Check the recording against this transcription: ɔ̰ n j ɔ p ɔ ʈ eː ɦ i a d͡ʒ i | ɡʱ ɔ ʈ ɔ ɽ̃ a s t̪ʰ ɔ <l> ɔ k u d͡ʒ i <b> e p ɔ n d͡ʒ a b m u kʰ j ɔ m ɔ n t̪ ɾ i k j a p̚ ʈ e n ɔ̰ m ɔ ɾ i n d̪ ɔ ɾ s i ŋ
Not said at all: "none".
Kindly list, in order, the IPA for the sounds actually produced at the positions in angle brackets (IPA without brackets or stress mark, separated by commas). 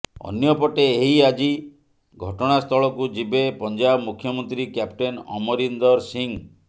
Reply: ɭ, b